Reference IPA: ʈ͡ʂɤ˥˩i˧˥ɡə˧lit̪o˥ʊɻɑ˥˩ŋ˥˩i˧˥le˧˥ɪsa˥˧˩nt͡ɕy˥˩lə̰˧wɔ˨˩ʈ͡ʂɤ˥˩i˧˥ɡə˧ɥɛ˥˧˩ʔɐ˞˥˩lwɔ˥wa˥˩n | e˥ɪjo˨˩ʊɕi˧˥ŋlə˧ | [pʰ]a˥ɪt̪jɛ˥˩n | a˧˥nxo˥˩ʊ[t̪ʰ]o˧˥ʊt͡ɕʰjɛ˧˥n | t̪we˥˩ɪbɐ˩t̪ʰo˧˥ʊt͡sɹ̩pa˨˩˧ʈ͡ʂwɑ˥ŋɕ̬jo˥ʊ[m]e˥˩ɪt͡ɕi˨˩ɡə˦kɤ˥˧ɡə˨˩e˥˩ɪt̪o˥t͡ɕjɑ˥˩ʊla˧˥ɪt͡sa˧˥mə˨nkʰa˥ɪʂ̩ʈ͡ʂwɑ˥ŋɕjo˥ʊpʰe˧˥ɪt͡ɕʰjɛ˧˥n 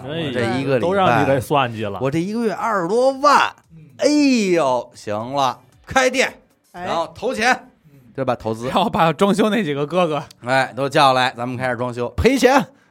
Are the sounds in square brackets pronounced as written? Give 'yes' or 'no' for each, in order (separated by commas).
no, yes, no